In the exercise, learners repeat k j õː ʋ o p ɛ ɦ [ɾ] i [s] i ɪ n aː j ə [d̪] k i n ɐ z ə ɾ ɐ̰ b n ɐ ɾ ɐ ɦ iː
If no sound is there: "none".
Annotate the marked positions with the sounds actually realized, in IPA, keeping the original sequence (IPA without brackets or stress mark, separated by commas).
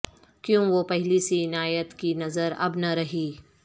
l, s, t̪